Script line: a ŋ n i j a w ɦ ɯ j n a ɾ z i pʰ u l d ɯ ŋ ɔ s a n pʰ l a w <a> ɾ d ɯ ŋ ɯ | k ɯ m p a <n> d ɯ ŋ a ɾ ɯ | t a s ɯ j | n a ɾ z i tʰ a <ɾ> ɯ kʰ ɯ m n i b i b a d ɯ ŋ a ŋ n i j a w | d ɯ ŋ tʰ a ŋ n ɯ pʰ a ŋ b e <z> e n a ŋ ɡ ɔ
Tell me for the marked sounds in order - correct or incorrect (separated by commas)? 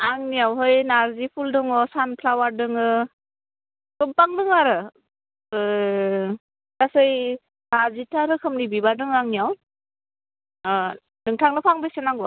correct, incorrect, correct, incorrect